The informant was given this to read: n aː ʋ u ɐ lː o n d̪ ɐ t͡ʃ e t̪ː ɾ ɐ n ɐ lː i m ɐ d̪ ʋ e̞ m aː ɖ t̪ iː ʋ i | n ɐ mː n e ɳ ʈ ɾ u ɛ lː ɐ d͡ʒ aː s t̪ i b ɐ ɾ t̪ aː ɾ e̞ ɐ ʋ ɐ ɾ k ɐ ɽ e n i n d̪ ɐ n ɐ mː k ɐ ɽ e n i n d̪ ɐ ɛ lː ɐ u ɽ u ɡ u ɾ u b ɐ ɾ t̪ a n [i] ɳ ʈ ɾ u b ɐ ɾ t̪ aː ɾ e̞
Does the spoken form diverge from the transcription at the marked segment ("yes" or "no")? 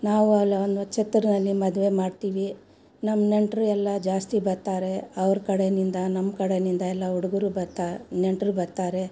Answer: yes